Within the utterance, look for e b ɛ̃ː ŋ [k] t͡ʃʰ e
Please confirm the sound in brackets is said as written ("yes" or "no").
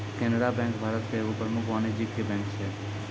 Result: yes